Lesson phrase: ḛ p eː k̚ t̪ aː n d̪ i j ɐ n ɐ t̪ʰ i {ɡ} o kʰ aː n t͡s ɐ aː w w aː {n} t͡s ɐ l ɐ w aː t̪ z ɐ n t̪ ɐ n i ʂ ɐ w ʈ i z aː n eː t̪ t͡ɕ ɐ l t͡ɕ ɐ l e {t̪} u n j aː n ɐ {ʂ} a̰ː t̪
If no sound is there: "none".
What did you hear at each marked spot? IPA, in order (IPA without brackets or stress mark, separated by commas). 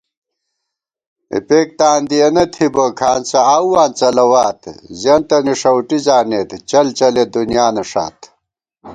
b, n, d̪, ʂ